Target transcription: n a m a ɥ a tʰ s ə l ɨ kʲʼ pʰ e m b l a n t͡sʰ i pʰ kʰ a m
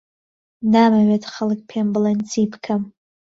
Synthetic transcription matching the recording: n a m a ɥ a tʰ χ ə l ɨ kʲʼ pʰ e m b l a n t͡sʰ i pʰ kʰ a m